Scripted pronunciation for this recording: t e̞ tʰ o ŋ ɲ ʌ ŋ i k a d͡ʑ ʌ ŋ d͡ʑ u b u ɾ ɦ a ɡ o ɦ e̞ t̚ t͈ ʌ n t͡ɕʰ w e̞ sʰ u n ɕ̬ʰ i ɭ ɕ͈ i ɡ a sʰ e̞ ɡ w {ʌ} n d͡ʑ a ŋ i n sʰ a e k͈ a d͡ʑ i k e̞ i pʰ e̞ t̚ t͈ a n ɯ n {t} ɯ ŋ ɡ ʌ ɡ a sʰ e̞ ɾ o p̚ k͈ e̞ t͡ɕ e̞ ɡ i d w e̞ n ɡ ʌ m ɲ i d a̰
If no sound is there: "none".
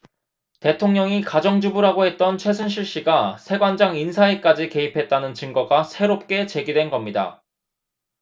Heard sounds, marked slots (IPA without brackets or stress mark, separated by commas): a, t͡ɕ